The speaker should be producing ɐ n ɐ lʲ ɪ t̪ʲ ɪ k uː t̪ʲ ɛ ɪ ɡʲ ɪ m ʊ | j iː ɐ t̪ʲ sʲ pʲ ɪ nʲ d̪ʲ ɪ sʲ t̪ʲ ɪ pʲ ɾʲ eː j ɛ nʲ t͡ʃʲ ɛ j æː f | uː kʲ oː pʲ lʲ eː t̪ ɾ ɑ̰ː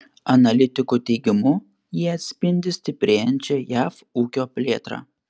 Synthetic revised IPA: ɐ n ɐ lʲ ɪ t̪ʲ ɪ k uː t̪ʲ ɛ ɪ ɡʲ ɪ m ʊ | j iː ɐ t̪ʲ sʲ pʲ ɪ nʲ d̪ʲ ɪ sʲ t̪ʲ ɪ pʲ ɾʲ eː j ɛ nʲ t͡ʃʲ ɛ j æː f | uː kʲ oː pʲ lʲ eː t̪ ɾ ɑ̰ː